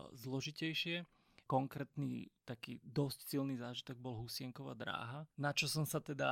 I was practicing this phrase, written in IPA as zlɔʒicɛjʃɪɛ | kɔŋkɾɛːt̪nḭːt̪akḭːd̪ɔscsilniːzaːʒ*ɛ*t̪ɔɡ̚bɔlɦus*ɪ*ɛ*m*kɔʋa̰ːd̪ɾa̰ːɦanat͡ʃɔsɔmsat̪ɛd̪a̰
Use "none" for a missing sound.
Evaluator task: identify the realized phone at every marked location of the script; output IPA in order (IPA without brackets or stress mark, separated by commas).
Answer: i, ɪ, ŋ